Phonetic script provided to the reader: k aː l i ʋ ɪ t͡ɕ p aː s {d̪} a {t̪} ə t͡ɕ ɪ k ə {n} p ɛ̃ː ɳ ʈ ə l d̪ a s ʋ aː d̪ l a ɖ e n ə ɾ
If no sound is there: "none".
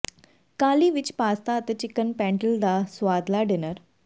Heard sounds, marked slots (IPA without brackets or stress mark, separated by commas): t̪, t̪, n